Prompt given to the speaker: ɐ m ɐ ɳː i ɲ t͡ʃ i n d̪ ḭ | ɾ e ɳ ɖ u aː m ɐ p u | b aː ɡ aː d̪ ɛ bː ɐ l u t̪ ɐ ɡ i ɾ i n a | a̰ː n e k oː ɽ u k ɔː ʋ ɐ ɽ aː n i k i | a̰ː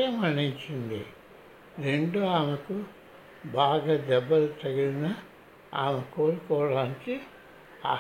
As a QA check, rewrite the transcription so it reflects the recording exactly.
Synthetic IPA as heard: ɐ m ɐ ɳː i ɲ t͡ʃ i n d̪ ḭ | ɾ e ɳ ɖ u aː m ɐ k u | b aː ɡ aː d̪ ɛ bː ɐ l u t̪ ɐ ɡ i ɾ i n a | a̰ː m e k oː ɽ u k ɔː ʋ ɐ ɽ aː n i k i | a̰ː